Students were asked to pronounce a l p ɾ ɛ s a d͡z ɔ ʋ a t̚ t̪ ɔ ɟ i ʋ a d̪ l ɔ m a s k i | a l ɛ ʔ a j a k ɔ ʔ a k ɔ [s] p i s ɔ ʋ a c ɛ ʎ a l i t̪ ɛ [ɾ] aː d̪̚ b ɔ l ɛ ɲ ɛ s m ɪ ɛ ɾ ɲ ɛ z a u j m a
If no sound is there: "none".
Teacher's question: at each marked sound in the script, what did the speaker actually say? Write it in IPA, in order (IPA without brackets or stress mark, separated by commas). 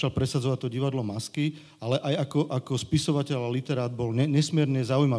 s, ɾ